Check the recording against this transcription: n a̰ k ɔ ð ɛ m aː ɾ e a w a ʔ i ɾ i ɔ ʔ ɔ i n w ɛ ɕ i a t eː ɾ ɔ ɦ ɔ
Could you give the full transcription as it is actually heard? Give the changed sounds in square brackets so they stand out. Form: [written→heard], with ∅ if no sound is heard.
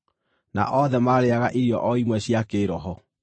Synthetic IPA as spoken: n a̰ [k→ʔ] ɔ ð ɛ m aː ɾ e a [w→ɣ] a ʔ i ɾ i ɔ ʔ ɔ i [n→m] w ɛ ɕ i a [t→k] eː ɾ ɔ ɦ ɔ